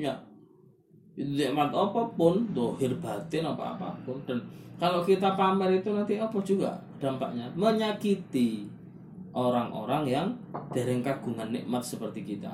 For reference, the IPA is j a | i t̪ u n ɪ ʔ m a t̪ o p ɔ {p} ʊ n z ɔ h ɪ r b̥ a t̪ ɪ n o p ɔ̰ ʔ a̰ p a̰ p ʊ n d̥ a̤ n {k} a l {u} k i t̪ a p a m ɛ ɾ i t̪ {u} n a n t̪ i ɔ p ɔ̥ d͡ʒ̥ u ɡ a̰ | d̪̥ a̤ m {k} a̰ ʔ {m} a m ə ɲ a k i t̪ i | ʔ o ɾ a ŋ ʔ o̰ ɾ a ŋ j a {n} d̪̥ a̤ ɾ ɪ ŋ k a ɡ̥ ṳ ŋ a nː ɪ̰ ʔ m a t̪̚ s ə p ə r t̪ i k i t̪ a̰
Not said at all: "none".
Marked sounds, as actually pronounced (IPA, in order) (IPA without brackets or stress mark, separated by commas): p, k, o, u, p, ɲ, ŋ